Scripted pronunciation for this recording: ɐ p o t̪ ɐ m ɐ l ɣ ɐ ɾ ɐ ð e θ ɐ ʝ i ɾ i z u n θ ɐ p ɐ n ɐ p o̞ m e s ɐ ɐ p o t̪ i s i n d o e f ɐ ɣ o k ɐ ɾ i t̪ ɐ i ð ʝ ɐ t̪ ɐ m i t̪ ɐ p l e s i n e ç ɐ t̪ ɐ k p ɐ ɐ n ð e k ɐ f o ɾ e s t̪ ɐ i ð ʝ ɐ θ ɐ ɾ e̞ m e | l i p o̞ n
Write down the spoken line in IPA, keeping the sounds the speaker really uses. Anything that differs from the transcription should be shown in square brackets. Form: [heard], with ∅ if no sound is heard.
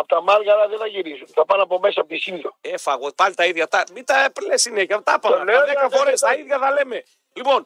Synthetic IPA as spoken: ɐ p o t̪ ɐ m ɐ l ɣ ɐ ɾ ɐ ð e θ ɐ ʝ i ɾ i z u n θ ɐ p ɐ n ɐ p o̞ m e s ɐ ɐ p o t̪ i s i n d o e f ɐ ɣ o [p] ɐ [l] i t̪ ɐ i ð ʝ ɐ t̪ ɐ m i t̪ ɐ p l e s i n e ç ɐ t̪ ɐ [∅] p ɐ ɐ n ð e k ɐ f o ɾ e s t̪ ɐ i ð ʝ ɐ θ ɐ [l] e̞ m e | l i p o̞ n